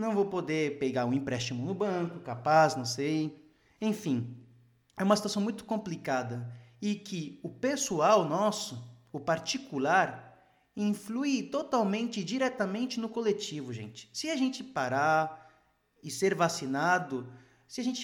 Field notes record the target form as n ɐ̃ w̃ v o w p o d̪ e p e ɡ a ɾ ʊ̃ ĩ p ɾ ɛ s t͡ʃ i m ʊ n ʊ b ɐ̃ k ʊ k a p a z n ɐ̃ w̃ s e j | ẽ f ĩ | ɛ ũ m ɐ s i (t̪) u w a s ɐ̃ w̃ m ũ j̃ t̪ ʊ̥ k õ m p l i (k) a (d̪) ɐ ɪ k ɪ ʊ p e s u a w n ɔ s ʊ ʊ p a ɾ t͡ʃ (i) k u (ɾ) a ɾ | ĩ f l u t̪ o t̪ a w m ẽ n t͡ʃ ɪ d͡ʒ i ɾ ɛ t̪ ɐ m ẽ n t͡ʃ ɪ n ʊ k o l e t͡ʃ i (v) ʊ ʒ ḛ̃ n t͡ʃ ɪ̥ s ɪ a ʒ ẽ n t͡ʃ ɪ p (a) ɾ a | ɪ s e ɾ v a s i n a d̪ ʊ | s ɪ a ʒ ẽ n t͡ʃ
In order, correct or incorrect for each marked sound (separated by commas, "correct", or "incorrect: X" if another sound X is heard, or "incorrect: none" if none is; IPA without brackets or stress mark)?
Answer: correct, correct, correct, correct, incorrect: l, correct, correct